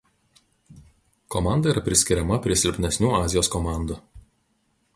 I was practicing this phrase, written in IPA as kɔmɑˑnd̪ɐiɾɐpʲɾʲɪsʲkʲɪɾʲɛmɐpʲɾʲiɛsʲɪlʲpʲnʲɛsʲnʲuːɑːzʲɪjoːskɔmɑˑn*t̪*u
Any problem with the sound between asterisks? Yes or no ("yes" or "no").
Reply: yes